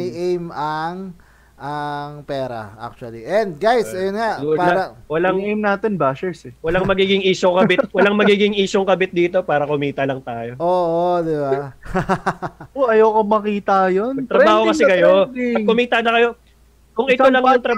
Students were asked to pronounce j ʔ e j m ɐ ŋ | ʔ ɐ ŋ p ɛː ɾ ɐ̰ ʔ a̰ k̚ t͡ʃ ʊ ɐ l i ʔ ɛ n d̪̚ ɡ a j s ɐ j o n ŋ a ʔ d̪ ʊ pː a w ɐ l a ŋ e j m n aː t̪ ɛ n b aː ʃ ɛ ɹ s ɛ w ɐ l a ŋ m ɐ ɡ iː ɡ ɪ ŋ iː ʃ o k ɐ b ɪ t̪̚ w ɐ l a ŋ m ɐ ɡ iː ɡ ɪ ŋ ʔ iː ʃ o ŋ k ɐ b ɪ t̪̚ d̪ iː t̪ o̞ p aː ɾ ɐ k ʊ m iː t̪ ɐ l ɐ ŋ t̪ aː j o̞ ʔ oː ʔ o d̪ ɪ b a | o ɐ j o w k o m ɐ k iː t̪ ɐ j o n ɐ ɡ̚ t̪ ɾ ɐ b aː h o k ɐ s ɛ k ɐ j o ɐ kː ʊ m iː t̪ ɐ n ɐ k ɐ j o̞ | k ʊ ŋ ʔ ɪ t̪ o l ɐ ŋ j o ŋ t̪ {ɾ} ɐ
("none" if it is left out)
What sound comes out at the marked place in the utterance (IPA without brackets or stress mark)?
ɾ